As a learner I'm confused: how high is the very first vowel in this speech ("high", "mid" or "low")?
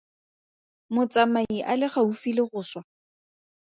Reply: high